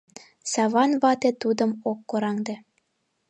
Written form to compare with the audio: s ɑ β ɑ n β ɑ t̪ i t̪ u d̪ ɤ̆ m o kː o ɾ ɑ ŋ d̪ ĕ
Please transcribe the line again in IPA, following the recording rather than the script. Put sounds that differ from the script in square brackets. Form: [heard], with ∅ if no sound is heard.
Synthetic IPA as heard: s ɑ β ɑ n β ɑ t̪ [e] t̪ u d̪ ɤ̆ m o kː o ɾ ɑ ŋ d̪ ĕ